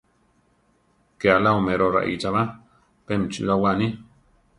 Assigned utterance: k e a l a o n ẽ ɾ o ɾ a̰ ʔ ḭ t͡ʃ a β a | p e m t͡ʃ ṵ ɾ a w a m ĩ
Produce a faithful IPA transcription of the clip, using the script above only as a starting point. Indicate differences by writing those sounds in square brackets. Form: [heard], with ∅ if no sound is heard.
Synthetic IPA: k e a l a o [m] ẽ ɾ o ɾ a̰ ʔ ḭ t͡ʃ a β a | p e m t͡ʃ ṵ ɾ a w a [n] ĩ